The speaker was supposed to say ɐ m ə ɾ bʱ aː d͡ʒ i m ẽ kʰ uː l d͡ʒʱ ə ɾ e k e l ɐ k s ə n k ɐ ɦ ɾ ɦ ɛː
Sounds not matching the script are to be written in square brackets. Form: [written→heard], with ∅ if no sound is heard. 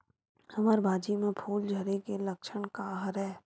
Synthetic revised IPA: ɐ m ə ɾ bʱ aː d͡ʒ i m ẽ [kʰ→pʰ] uː l d͡ʒʱ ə ɾ e k e l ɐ k [s→ʃ] ə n k [ɐ→a] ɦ ɾ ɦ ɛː